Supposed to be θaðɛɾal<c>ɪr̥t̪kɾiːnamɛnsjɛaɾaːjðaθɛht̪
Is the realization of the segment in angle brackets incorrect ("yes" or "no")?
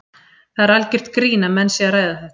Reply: no